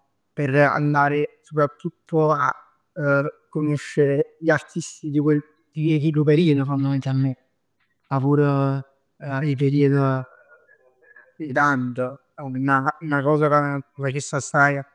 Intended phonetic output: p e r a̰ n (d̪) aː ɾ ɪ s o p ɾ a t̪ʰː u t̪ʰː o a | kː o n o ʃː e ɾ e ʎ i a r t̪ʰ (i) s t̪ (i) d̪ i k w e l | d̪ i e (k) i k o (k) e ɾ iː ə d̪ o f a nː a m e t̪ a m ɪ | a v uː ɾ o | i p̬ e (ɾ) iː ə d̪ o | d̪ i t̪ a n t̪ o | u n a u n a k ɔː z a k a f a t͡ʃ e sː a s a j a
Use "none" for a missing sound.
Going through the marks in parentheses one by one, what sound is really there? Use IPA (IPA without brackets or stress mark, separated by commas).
d̪, i, i, k, p, ɾ